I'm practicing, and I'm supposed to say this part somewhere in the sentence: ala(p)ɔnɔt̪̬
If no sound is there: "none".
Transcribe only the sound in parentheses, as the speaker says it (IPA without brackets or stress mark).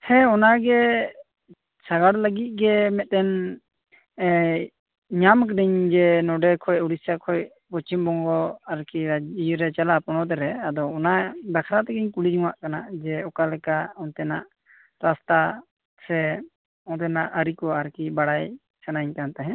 p